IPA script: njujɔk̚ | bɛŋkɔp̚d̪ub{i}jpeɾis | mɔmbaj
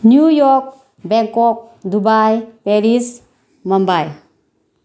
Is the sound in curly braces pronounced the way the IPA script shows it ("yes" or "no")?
no